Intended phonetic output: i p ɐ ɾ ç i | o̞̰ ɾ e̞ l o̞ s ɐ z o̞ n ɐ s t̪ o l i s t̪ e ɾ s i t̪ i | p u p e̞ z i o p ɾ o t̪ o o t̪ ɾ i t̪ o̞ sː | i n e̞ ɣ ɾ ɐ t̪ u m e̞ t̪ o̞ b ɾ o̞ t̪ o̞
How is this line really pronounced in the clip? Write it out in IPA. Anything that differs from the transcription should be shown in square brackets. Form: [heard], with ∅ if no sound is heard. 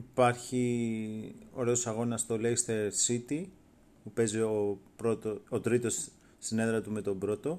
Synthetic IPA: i p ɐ ɾ ç i | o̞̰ ɾ e̞ [∅] o̞ s ɐ [ɣ] o̞ n ɐ s t̪ o l [e] s t̪ e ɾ s i t̪ i | p u p e̞ z i o p ɾ o t̪ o o t̪ ɾ i t̪ o̞ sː | i n e̞ [ð] ɾ ɐ t̪ u m e̞ t̪ o̞ b ɾ o̞ t̪ o̞